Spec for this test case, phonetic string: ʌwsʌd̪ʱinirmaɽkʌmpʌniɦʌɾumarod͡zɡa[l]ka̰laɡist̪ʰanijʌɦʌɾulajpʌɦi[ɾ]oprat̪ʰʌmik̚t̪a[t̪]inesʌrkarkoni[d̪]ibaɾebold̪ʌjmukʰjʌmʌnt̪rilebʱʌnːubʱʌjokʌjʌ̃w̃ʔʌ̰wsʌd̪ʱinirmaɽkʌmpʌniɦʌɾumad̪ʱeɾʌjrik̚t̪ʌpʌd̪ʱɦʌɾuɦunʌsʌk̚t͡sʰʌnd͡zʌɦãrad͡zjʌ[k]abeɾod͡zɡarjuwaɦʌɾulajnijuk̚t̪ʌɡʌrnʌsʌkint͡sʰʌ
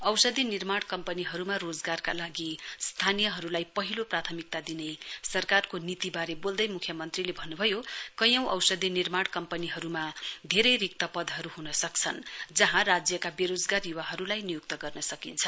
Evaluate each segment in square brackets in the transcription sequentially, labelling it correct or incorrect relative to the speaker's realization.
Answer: incorrect: r, incorrect: l, incorrect: d̪, incorrect: t̪, correct

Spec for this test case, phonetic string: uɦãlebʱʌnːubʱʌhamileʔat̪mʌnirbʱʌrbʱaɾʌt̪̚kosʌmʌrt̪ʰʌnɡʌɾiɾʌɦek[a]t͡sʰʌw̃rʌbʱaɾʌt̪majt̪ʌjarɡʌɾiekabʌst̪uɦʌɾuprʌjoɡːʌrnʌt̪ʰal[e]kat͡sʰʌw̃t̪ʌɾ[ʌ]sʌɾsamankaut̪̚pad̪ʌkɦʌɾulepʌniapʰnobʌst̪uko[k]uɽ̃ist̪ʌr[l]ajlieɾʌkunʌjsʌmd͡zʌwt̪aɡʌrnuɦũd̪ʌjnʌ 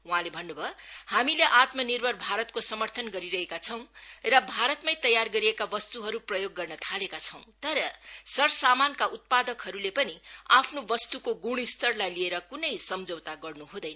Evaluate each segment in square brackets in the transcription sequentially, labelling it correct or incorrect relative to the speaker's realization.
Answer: correct, correct, correct, incorrect: ɡ, correct

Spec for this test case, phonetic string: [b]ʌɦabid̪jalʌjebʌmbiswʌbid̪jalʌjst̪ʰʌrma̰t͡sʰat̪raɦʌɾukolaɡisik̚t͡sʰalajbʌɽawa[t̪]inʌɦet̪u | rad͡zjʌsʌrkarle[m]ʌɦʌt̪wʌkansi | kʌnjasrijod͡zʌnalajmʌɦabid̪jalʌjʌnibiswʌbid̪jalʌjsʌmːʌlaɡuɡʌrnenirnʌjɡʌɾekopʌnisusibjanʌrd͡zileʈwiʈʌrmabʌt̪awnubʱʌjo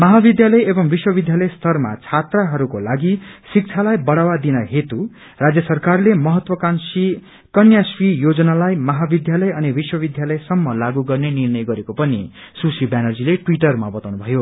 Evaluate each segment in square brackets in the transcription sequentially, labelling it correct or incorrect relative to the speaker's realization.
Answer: incorrect: m, incorrect: d̪, correct

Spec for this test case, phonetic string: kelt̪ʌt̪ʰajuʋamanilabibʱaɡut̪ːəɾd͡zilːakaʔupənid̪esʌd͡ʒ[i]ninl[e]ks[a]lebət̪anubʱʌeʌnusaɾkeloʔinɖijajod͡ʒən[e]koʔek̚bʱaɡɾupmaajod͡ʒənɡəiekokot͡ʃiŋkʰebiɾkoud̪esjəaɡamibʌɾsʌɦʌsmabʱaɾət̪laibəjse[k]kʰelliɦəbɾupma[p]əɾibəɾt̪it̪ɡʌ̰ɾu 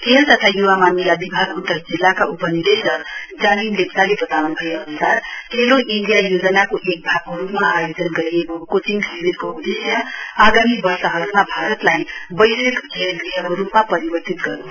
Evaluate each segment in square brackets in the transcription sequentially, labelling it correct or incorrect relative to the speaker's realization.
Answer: incorrect: a, correct, correct, incorrect: a, correct, correct

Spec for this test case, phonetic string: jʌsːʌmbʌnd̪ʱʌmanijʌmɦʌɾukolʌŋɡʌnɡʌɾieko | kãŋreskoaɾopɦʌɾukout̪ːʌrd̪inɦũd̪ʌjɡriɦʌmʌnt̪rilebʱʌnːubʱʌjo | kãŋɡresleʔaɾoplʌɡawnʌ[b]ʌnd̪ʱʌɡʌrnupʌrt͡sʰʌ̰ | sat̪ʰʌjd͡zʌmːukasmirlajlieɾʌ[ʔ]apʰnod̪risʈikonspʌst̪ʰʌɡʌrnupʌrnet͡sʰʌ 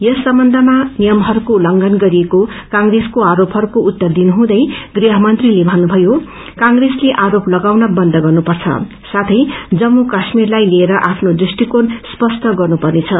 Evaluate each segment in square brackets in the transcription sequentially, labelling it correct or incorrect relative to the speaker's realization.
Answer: correct, correct

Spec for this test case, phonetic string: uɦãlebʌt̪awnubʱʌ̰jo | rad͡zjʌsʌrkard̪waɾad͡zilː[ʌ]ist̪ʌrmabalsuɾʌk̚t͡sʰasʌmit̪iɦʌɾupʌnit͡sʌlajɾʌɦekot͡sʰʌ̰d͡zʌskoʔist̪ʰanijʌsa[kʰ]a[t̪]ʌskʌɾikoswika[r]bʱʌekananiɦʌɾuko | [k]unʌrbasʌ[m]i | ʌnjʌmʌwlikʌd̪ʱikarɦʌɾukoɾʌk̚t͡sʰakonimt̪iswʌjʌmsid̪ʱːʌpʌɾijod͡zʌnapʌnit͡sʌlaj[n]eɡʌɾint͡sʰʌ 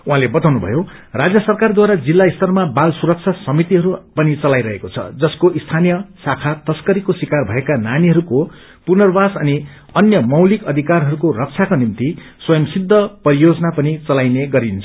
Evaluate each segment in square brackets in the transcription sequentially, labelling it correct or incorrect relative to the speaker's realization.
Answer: incorrect: a, correct, correct, correct, incorrect: p, incorrect: n, correct

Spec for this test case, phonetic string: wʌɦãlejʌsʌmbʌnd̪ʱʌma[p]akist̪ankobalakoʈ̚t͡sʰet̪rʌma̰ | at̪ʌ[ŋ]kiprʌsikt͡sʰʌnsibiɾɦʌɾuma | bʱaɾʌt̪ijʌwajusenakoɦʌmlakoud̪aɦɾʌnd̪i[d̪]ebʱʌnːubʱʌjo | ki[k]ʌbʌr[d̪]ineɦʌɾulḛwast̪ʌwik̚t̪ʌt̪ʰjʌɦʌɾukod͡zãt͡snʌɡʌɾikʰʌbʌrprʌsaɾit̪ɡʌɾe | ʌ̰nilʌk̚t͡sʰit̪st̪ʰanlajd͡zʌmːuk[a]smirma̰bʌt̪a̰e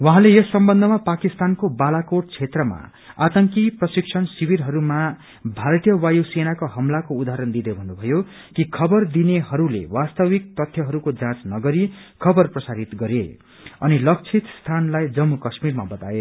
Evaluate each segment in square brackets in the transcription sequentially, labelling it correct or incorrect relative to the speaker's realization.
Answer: correct, correct, correct, incorrect: kʰ, correct, incorrect: ʌ

